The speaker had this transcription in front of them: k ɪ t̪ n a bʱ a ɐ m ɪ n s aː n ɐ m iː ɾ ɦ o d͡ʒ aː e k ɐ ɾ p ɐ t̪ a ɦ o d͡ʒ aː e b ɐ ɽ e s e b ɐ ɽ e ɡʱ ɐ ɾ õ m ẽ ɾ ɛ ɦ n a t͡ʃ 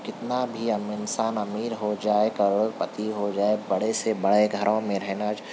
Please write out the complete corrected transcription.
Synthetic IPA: k ɪ t̪ n a bʱ i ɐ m ɪ n s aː n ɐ m iː ɾ ɦ o d͡ʒ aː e k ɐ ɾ p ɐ t̪ i ɦ o d͡ʒ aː e b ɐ ɽ e s e b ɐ ɽ e ɡʱ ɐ ɾ õ m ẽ ɾ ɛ ɦ n a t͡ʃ